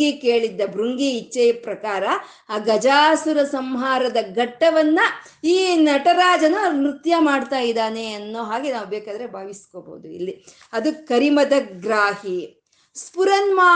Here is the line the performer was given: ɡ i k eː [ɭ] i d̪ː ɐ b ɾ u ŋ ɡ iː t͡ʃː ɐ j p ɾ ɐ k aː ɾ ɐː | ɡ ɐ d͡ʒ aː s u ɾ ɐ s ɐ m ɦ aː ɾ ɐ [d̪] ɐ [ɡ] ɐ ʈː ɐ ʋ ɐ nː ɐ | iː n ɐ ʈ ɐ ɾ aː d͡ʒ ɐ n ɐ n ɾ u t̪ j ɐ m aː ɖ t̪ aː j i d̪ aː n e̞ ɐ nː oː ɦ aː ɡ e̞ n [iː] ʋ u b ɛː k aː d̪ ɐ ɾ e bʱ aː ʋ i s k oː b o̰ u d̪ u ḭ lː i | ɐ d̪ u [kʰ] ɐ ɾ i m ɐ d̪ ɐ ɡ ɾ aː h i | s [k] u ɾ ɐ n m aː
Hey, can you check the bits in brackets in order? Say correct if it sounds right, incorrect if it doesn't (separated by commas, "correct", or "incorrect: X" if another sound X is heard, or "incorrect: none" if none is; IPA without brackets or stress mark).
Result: correct, correct, correct, incorrect: aː, incorrect: k, incorrect: p